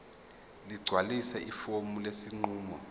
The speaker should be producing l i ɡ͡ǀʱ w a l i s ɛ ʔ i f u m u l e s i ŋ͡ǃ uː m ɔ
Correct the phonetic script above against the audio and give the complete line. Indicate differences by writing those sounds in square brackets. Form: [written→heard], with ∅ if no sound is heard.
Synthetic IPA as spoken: l i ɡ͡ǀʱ w a l i s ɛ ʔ i f [u→o] m u l e s i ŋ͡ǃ uː m ɔ